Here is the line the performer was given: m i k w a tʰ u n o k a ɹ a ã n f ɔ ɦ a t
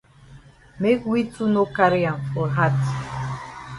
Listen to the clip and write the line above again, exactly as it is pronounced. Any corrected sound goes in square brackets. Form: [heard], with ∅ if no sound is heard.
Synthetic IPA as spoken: m [e] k w [i] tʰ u n o k a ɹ [i] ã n f ɔ ɦ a t